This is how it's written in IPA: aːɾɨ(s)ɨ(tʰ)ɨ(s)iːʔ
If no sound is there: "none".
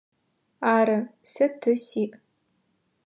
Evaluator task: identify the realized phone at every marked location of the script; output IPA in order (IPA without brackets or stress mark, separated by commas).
s, tʰ, s